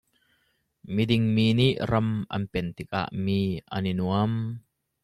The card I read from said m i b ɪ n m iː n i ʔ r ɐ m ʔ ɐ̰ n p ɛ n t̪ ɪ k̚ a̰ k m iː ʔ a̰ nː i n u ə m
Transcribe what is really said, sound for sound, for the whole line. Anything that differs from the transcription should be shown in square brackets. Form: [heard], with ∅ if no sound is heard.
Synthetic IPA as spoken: m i [d] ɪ [ŋ] m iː n i ʔ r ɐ m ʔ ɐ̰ n p ɛ n t̪ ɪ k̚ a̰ [ʔ] m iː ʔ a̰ [n] i n u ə m